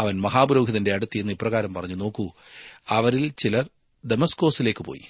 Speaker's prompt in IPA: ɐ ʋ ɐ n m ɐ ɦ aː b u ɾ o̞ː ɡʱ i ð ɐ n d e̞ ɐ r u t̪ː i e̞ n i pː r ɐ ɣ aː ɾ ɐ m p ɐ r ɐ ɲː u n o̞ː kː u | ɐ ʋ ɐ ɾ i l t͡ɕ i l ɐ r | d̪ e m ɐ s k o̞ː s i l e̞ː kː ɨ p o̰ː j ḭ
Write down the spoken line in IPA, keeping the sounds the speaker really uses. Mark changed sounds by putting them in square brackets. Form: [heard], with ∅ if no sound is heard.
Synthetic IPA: ɐ ʋ ɐ n m ɐ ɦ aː b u ɾ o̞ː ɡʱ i ð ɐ n d e̞ ɐ [ɽ] u t̪ː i e̞ [nː] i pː r ɐ ɣ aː ɾ ɐ m p ɐ r ɐ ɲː u n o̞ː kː u | ɐ ʋ ɐ ɾ i l t͡ɕ i l ɐ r | d̪ e m ɐ s k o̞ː s i l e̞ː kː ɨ p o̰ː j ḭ